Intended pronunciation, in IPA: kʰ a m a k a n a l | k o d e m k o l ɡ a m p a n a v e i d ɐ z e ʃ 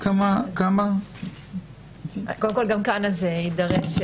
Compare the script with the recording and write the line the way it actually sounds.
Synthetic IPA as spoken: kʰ a m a k a m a | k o d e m k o l ɡ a m k a n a z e i d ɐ ʁ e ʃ